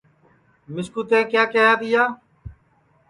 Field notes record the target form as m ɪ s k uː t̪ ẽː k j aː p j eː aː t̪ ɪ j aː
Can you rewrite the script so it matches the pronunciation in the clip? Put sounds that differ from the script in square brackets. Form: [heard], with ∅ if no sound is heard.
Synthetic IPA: m ɪ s k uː t̪ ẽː k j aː [k] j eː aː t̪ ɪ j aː